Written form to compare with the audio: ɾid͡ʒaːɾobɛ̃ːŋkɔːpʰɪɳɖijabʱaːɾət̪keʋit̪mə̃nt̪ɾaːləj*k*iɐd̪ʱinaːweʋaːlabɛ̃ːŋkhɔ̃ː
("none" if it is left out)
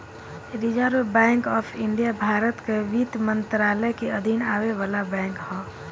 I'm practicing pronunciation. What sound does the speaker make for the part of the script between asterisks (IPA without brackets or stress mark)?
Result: k